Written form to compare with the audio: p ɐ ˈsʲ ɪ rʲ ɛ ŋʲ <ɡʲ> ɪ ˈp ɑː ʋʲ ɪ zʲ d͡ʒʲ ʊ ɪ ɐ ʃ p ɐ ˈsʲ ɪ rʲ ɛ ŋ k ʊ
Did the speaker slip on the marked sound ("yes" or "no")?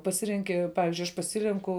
yes